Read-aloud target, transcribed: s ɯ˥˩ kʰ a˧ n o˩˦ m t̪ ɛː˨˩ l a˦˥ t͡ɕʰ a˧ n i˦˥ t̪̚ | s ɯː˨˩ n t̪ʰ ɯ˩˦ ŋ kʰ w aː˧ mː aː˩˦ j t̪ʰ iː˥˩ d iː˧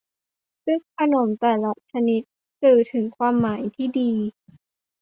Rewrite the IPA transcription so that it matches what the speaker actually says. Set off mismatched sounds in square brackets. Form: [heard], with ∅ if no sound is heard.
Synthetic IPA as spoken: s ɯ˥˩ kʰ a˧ n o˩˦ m t̪ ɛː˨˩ l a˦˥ t͡ɕʰ a˧ n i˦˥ t̪̚ | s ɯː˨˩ [∅] t̪ʰ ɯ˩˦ ŋ kʰ w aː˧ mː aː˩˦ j t̪ʰ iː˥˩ d iː˧